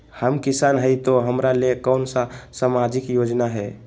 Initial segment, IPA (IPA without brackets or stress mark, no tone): h